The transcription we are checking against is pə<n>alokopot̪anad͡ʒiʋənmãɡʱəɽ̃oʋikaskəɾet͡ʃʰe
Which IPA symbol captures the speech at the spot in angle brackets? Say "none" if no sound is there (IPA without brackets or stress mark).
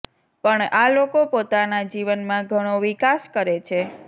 ɳ